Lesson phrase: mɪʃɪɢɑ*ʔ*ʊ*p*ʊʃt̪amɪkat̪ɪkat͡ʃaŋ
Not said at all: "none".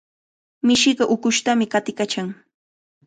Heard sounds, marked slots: ʔ, k

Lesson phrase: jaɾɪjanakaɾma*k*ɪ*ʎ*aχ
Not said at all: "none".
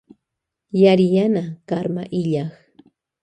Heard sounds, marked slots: ʔ, ʎ

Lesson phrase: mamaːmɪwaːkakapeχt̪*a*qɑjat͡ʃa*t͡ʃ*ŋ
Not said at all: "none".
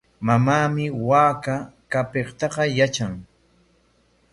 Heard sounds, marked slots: ɑ, none

